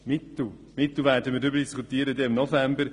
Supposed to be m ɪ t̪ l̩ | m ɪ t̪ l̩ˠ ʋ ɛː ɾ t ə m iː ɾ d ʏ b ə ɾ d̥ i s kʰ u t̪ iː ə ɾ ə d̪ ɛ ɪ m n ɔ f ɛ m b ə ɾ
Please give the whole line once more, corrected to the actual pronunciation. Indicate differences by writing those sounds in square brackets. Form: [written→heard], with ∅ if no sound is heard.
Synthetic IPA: m ɪ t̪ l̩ | m ɪ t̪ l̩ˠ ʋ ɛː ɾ [t→d] ə m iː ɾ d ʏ b ə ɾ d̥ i s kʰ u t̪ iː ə ɾ ə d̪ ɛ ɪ m n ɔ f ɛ m b ə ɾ